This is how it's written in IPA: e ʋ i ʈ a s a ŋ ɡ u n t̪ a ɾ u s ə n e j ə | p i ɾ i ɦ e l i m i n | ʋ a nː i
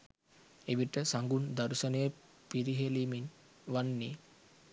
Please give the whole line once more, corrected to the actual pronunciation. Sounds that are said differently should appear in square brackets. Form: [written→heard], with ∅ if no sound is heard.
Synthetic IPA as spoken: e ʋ i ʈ [a→ə] s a ŋ ɡ u n [t̪→d̪] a ɾ u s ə n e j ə | p i ɾ i ɦ e l i m i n | ʋ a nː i

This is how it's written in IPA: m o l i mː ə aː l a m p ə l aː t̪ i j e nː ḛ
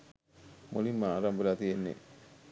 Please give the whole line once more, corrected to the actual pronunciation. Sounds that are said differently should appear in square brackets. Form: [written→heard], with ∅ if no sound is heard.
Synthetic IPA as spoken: m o l i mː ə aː [l→ɾ] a m [p→b] ə l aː t̪ i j e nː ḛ

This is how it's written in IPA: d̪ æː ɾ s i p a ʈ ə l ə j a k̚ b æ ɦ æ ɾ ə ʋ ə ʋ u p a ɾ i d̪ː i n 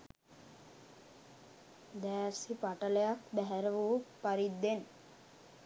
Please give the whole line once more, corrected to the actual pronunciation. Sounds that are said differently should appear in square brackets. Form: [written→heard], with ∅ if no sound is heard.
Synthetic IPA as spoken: d̪ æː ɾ s i p a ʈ ə l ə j a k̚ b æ ɦ æ ɾ ə ʋ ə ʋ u p a ɾ i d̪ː [i→e] n

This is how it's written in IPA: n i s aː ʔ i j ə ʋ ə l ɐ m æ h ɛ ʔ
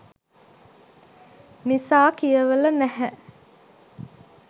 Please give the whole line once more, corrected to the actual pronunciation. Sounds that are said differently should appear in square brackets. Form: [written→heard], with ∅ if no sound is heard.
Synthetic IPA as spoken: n i s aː [ʔ→k] i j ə ʋ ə l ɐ [m→n] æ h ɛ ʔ

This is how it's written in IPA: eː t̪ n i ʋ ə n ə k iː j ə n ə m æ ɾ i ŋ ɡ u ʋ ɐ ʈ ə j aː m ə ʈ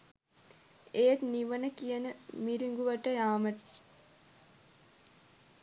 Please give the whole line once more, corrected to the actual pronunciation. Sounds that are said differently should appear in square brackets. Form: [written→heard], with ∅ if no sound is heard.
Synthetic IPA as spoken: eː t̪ n i ʋ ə n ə k [iː→i] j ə n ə m [æ→i] ɾ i ŋ ɡ u ʋ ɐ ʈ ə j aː m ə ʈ

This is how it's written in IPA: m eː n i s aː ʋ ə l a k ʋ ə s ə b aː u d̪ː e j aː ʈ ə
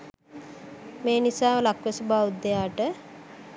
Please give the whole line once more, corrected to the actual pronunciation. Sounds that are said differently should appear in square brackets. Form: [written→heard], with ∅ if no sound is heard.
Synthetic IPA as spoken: m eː n i s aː ʋ ə l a k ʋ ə s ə b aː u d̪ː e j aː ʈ ə

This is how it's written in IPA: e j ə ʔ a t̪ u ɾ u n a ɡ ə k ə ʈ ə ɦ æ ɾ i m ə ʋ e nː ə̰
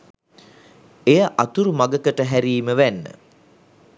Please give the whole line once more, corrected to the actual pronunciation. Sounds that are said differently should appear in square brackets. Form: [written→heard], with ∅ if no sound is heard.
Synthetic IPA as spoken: e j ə ʔ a t̪ u ɾ u [n→m] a ɡ ə k ə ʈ ə ɦ æ ɾ [i→iː] m ə ʋ [e→æ] nː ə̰

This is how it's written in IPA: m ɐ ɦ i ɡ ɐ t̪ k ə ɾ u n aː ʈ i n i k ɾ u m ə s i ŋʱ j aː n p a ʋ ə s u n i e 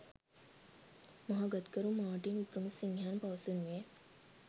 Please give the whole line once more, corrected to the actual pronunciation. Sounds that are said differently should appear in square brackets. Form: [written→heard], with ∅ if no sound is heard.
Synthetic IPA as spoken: m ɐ ɦ [i→a] ɡ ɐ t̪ k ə ɾ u [n→m] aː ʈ i n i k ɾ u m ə s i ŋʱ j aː n p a ʋ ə s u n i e

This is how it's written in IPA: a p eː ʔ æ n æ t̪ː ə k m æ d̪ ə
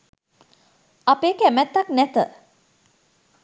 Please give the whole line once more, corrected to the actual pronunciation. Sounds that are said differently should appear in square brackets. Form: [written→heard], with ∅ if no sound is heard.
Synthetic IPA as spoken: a p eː [ʔ→k] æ [n→m] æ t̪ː [ə→a] k [m→n] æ [d̪→t̪] ə

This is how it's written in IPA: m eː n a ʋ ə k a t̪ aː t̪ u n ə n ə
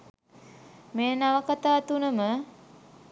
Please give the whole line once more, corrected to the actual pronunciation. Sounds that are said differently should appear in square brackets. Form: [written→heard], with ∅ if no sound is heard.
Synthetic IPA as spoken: m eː n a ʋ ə k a t̪ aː t̪ u n ə [n→m] ə

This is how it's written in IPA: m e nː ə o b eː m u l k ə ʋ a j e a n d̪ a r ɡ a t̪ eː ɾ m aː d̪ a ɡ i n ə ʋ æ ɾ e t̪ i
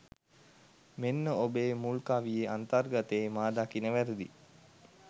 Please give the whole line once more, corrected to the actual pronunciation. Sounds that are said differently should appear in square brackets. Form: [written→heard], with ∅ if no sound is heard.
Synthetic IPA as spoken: m e nː ə o b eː m u l k [ə→a] ʋ [a→i] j e a n [d̪→t̪] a r ɡ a t̪ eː [ɾ→∅] m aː d̪ a [ɡ→k] i n ə ʋ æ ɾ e [t̪→d̪] i

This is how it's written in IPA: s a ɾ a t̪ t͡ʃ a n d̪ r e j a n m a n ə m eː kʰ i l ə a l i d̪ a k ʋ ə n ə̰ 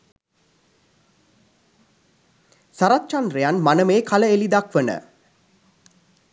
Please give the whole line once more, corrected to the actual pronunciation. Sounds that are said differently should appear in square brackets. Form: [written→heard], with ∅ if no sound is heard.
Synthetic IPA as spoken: s a ɾ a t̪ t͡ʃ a n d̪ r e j a n m a n ə m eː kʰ [i→a] l ə [a→e] l i d̪ a k ʋ ə n ə̰

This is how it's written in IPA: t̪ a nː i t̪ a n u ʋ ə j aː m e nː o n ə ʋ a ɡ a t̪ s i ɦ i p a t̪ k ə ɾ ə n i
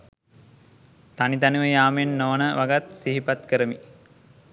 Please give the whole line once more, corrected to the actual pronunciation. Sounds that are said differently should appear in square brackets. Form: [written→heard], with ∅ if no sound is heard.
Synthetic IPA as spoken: t̪ a [nː→n] i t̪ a n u ʋ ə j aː m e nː o n ə ʋ a ɡ a t̪ s i ɦ i p a t̪ k ə ɾ ə [n→m] i

